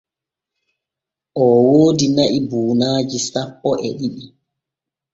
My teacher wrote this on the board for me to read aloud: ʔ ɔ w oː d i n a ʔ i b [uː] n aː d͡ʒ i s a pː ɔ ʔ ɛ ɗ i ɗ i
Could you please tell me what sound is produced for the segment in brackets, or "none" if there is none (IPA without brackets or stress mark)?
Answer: uː